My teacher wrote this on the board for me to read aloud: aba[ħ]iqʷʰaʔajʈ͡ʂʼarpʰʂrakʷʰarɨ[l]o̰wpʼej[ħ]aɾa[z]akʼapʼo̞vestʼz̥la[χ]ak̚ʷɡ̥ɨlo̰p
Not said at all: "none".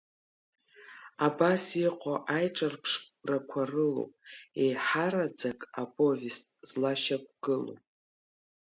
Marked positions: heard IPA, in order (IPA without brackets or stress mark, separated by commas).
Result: s, l, ħ, d͡z, ʃ